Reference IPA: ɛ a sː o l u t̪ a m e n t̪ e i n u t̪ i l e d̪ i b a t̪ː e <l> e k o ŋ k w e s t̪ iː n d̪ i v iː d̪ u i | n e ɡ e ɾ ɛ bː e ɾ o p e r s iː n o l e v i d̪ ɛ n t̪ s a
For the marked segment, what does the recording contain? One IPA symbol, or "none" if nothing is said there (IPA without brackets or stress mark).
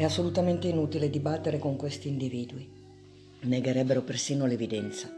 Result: ɾ